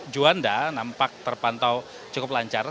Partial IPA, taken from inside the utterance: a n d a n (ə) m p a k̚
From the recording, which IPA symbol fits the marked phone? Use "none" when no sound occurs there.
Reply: a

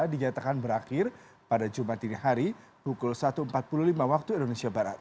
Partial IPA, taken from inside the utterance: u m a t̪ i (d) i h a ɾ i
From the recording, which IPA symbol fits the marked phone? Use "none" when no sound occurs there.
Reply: n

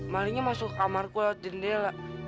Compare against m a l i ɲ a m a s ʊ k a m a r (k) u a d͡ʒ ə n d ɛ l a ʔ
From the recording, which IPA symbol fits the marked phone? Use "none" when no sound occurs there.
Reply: k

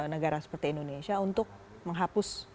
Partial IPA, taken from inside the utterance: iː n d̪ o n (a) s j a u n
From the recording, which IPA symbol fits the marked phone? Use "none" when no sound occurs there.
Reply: e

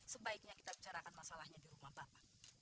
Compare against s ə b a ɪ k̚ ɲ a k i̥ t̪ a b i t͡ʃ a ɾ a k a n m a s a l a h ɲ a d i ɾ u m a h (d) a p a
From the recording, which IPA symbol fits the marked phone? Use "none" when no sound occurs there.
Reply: b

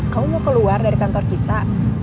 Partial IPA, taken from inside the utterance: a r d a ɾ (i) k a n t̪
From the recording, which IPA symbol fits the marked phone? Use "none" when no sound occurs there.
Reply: i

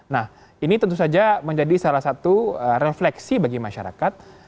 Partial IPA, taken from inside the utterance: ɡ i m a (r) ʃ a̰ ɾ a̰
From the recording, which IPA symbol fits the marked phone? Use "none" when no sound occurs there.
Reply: none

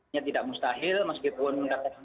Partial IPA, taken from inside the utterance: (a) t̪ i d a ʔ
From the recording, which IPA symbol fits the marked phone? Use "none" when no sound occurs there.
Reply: a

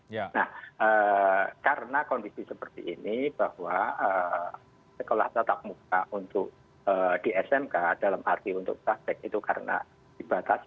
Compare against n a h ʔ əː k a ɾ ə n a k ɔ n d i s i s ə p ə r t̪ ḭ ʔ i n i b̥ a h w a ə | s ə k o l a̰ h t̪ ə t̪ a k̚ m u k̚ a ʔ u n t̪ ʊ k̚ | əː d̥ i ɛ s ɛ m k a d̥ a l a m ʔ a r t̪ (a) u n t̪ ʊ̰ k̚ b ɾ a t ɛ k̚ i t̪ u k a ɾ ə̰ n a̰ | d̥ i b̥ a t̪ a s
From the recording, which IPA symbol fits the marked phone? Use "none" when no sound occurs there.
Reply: i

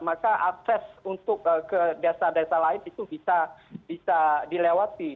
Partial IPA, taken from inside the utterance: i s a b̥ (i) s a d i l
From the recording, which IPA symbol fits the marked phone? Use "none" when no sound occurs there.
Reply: i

